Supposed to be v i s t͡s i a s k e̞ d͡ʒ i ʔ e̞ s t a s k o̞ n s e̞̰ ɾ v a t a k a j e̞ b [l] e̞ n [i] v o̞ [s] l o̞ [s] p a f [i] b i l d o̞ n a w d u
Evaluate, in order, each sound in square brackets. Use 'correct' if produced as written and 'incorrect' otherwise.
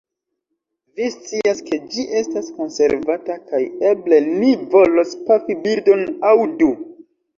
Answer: correct, correct, incorrect: none, correct, correct

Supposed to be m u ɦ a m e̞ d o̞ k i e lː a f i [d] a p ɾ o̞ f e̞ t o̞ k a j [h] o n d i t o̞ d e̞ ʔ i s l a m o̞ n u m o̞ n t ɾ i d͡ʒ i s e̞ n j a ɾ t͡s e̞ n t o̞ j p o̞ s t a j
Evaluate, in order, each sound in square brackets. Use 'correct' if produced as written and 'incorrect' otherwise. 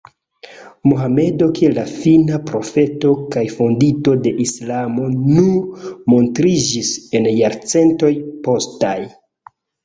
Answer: incorrect: n, incorrect: f

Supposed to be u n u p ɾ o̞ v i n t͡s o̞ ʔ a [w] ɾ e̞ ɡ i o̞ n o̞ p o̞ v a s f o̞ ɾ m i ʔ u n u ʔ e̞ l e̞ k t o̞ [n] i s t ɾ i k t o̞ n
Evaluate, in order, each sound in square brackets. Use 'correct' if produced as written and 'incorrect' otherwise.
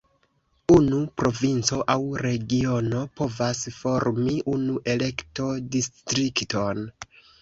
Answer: correct, incorrect: d

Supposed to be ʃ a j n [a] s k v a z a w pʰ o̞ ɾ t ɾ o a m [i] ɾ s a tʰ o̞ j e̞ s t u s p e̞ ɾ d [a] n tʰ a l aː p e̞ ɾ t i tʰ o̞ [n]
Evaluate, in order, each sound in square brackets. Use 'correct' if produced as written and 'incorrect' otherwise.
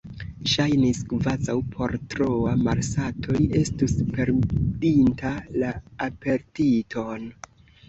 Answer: incorrect: i, incorrect: a, incorrect: i, correct

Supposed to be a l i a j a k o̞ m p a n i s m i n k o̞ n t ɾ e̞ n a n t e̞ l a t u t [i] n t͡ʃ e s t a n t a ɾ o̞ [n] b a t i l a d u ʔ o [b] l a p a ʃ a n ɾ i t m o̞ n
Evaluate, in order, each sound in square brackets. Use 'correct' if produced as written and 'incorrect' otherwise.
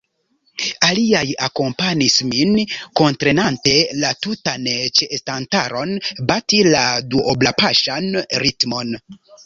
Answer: incorrect: a, correct, correct

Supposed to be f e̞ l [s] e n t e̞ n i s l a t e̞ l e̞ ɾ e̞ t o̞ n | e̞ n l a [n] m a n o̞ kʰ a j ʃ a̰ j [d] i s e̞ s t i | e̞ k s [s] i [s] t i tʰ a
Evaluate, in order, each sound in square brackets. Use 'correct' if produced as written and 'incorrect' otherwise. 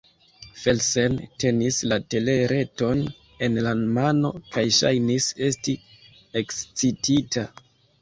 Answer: correct, correct, incorrect: n, incorrect: t͡s, incorrect: none

